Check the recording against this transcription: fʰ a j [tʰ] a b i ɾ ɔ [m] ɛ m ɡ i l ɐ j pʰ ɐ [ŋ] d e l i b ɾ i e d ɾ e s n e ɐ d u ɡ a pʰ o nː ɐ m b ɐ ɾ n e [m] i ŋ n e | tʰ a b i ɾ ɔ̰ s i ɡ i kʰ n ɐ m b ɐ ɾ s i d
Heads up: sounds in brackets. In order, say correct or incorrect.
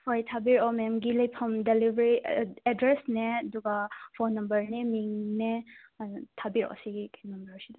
correct, correct, incorrect: m, correct

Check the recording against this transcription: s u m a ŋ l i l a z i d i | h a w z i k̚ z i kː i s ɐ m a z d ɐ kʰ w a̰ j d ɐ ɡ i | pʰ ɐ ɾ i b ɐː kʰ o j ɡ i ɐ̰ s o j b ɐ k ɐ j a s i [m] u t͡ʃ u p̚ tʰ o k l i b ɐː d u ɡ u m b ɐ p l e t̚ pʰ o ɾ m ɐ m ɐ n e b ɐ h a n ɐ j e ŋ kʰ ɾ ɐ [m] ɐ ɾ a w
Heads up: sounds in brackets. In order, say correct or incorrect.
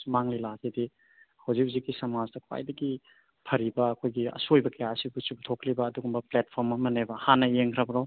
incorrect: b, incorrect: b

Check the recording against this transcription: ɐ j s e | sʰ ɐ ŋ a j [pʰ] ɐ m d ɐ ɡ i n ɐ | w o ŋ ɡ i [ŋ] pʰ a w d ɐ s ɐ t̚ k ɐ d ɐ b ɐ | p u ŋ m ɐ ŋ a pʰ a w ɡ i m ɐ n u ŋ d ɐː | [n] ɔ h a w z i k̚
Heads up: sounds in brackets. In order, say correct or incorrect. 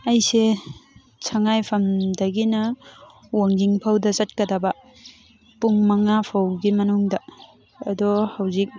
correct, correct, incorrect: d

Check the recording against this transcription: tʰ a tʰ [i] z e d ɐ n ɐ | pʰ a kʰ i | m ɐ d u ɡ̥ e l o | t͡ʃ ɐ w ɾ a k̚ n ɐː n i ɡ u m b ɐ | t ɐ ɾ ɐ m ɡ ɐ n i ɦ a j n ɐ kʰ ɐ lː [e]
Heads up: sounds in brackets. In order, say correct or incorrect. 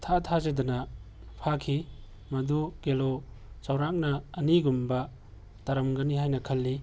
incorrect: a, incorrect: i

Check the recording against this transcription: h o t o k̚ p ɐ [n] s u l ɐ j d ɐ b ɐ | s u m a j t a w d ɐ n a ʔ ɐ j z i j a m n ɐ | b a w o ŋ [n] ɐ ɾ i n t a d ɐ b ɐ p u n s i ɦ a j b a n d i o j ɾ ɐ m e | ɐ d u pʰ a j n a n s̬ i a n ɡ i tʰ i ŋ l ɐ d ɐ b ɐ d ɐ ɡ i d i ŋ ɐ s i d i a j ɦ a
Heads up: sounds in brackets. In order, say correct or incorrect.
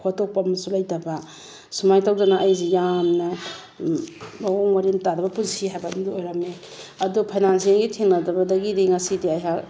incorrect: m, incorrect: m

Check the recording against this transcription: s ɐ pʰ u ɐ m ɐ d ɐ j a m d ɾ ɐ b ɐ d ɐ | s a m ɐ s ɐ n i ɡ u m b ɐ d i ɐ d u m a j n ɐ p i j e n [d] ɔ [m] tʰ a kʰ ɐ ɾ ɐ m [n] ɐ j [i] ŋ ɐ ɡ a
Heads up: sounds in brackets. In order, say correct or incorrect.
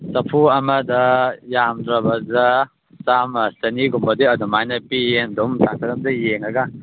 correct, correct, incorrect: d, incorrect: e

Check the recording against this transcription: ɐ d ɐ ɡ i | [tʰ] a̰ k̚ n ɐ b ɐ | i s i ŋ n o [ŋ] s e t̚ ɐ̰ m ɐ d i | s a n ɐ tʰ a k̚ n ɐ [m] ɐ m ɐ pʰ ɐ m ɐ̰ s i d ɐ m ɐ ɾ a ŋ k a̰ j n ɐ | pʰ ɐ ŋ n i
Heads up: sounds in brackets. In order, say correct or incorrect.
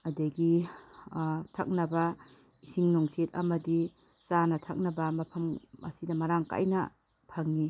correct, correct, incorrect: b

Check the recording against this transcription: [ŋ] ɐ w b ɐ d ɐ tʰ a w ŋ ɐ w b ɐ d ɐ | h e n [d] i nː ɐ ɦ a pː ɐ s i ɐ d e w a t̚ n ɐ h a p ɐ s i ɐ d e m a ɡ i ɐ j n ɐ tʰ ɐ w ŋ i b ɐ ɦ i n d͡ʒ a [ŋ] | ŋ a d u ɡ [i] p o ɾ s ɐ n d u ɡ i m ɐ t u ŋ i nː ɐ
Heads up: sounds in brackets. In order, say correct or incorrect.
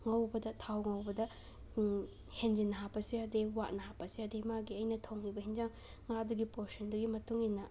correct, incorrect: d͡ʒ, correct, correct

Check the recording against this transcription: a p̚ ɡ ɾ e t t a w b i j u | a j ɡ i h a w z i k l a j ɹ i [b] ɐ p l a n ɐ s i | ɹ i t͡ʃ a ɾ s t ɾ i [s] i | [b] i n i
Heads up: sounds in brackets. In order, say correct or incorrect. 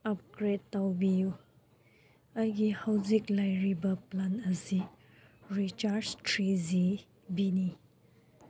correct, incorrect: z, correct

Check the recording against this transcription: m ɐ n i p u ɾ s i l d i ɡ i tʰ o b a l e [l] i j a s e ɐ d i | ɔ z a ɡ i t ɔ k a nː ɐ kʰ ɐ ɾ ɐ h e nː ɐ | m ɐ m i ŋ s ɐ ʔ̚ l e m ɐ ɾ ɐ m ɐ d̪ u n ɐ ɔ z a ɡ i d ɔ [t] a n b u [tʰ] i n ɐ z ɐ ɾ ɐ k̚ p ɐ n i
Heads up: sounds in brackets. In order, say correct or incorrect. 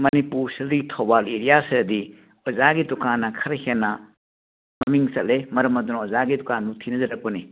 incorrect: ɾ, incorrect: k, correct

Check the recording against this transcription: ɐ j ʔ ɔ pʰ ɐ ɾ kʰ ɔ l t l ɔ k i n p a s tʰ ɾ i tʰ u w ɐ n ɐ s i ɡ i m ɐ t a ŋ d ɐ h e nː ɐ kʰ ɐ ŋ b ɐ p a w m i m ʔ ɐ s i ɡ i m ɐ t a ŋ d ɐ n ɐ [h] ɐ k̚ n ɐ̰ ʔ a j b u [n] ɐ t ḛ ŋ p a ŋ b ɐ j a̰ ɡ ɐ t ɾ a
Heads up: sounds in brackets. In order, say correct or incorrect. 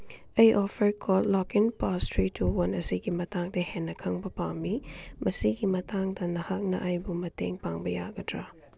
correct, incorrect: m

